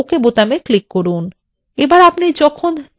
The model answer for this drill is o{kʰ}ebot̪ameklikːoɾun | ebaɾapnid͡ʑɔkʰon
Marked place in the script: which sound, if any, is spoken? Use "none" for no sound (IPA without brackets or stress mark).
k